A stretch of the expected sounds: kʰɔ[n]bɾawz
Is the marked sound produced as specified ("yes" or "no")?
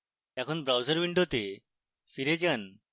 yes